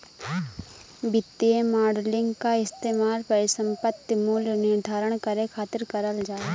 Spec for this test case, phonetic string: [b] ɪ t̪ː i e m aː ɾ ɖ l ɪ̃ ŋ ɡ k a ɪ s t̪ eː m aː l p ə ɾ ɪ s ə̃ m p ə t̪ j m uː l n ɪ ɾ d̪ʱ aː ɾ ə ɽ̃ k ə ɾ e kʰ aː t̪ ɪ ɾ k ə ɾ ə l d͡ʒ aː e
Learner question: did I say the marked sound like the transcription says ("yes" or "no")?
yes